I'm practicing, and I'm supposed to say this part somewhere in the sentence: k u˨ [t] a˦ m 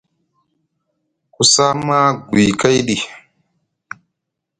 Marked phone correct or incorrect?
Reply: incorrect